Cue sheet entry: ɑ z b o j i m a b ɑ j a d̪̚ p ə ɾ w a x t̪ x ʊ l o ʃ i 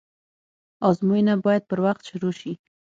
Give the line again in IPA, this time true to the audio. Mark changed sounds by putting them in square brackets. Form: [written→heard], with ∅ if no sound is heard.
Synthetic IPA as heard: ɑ z [b→m] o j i [m→n] a b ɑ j a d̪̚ p ə ɾ w a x t̪ [x→ʃ] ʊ [l→ɾ] o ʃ i